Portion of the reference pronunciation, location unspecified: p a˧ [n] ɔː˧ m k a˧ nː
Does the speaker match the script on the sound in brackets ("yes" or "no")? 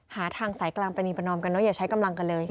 yes